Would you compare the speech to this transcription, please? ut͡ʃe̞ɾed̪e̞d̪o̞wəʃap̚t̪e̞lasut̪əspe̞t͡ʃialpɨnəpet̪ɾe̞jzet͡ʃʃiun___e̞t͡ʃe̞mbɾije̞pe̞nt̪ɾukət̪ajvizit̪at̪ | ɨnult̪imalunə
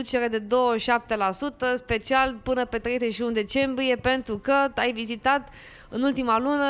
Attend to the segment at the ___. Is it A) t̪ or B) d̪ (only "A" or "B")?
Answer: B